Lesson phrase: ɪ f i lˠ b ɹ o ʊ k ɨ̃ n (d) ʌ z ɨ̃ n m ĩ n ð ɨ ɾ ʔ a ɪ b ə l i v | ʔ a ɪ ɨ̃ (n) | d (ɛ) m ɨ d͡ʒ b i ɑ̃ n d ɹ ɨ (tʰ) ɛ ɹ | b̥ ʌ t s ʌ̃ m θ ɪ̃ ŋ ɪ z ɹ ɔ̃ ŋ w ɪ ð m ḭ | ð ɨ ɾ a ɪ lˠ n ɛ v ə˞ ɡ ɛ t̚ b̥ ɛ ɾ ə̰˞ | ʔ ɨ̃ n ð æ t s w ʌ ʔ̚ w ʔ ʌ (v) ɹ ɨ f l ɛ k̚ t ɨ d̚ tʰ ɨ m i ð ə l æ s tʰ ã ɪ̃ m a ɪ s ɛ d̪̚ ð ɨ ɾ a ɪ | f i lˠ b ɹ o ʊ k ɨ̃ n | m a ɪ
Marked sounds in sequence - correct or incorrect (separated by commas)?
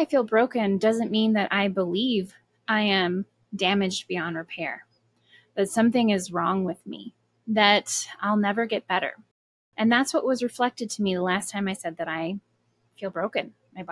correct, incorrect, incorrect, incorrect, incorrect